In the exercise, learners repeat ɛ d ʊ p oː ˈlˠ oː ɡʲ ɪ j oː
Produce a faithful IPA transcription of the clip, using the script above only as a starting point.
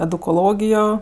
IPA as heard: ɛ d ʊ k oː ˈlˠ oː ɡʲ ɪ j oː